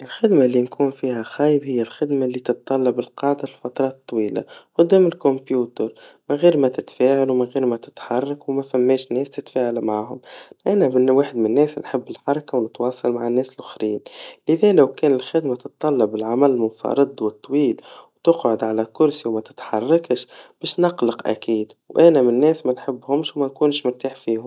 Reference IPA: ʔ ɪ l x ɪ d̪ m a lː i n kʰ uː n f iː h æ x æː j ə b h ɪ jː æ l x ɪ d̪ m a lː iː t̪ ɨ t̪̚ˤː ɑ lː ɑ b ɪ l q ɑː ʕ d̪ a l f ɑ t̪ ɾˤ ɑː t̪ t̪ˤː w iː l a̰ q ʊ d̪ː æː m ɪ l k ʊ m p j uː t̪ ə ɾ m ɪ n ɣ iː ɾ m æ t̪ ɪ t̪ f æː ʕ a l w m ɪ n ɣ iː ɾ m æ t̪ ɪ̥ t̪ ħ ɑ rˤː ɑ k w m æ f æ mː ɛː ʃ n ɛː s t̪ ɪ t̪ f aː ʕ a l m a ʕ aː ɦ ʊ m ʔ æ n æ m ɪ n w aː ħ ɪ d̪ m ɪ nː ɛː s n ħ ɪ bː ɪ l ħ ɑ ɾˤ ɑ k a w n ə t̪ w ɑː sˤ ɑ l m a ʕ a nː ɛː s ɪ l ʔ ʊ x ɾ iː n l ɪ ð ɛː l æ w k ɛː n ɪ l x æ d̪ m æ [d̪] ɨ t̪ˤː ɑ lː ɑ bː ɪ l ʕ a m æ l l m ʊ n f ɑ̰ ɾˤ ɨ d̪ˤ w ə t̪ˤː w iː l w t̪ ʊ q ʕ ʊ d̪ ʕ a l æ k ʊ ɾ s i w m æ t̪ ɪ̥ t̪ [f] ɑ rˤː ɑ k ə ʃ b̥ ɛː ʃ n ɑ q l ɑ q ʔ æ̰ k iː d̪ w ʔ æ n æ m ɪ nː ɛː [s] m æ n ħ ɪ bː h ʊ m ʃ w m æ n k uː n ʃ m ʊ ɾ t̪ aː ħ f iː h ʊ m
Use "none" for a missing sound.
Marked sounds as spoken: t̪, ħ, s

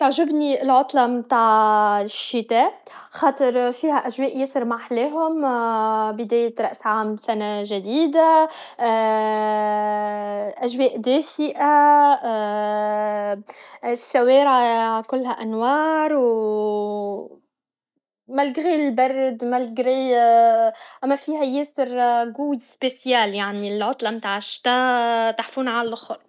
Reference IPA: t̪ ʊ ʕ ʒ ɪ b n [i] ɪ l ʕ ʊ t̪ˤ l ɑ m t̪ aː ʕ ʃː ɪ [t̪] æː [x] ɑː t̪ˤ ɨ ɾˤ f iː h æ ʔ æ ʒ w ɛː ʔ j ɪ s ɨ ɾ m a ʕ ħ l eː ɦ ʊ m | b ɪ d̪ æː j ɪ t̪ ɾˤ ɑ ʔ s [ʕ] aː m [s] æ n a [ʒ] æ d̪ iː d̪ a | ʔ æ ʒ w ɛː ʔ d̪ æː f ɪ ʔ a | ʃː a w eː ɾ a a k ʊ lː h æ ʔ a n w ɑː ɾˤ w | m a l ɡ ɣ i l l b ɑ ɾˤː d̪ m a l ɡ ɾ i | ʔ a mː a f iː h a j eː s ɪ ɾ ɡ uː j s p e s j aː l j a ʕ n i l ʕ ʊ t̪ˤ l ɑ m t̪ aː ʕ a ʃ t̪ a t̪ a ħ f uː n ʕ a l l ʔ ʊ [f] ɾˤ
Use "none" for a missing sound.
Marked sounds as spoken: i, t̪, x, ʕ, s, ʒ, x

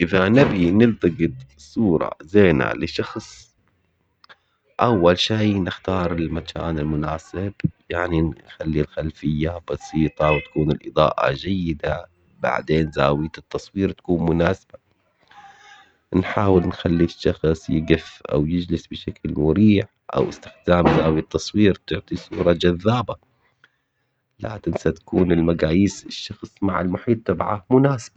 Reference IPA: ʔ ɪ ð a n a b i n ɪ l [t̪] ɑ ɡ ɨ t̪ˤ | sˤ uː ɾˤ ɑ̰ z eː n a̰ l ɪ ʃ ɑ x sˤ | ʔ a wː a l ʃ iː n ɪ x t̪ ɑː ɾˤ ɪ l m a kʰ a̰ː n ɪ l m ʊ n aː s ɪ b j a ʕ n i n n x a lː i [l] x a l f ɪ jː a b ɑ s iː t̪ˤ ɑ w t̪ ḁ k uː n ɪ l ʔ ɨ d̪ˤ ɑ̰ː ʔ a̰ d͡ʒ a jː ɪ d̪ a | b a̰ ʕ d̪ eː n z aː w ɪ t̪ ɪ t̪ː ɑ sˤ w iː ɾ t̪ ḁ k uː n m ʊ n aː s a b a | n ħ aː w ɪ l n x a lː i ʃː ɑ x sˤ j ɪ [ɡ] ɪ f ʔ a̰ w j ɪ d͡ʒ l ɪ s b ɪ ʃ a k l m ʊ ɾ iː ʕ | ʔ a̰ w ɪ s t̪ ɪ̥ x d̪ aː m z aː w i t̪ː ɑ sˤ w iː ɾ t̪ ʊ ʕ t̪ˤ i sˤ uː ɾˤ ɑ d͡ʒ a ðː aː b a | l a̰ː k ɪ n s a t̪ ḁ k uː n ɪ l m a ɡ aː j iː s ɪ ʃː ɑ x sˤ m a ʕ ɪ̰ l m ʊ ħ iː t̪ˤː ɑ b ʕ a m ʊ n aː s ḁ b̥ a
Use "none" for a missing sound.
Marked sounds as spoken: t̪, l, ɡ

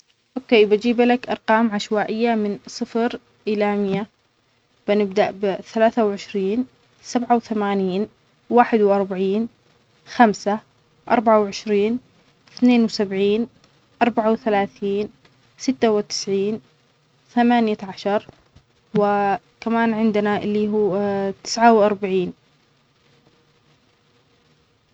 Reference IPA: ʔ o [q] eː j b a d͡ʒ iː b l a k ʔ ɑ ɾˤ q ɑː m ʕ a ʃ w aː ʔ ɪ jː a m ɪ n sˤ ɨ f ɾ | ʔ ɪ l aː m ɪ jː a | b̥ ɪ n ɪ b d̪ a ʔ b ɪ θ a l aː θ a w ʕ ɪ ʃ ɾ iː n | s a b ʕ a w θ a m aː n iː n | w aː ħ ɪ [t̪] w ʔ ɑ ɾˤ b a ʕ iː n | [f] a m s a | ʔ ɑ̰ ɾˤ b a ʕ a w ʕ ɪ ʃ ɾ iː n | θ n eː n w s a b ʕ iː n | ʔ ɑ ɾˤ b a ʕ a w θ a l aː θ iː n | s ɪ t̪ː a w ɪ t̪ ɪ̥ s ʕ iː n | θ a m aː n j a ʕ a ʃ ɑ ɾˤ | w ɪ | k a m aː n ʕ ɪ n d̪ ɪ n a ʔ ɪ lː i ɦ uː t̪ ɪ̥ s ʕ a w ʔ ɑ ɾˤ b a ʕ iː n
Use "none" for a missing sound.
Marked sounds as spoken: k, d̪, x

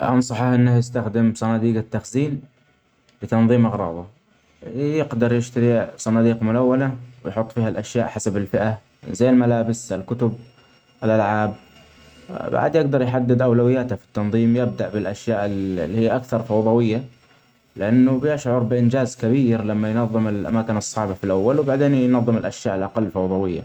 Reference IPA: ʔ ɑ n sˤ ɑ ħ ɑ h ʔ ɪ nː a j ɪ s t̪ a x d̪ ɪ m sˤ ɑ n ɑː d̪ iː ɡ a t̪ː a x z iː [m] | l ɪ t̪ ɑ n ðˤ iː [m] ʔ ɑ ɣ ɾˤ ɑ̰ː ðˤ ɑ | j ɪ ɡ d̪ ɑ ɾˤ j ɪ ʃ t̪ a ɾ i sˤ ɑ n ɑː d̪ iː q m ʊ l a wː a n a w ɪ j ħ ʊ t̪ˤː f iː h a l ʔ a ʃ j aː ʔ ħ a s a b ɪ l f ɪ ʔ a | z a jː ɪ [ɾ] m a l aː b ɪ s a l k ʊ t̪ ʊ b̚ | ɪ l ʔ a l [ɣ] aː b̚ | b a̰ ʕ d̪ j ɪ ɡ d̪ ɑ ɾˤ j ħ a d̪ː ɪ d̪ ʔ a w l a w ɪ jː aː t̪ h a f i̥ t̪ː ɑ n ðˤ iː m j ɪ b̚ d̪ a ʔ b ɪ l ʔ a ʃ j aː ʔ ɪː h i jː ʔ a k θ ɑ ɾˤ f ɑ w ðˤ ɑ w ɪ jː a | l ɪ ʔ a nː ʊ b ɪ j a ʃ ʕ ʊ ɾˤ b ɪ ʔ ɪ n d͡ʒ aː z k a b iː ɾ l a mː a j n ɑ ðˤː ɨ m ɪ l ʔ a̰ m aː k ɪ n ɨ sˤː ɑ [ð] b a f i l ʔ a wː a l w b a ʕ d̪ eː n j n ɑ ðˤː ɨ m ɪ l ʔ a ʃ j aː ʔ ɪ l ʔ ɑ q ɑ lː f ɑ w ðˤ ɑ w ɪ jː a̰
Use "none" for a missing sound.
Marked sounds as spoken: n, m, l, ʕ, ʕ

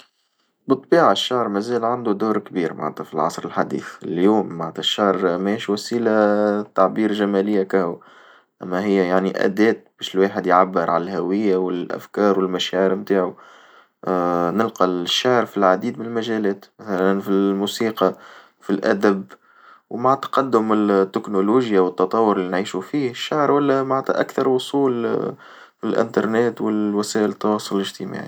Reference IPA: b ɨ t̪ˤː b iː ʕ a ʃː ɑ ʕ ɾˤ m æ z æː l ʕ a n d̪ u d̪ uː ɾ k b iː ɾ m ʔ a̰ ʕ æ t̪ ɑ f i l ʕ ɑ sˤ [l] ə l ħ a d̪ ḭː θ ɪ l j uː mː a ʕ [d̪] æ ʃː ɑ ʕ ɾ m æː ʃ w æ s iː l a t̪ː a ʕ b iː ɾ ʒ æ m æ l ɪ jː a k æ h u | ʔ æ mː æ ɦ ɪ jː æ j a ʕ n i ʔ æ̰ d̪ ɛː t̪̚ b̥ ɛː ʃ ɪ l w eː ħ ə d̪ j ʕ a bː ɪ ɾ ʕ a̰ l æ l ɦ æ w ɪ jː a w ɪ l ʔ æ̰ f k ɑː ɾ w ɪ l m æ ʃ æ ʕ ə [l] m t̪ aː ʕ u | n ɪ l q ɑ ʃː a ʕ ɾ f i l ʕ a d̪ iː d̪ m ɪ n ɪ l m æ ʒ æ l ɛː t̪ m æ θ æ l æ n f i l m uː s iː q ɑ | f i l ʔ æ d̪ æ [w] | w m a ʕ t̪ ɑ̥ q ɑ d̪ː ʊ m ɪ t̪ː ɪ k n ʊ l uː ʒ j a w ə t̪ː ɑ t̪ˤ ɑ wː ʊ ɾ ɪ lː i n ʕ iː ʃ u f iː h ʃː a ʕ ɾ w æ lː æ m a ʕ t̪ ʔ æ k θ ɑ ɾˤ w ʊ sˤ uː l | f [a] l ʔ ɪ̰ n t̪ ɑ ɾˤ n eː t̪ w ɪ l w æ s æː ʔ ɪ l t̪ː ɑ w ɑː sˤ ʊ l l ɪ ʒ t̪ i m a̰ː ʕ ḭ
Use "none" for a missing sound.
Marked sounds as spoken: ɾ, t̪, ɾ, b, i

